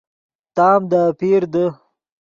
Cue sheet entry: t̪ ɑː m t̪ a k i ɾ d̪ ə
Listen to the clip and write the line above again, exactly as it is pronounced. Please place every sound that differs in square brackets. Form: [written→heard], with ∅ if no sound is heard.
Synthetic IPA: t̪ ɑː m [t̪→d̪] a [k→p] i ɾ d̪ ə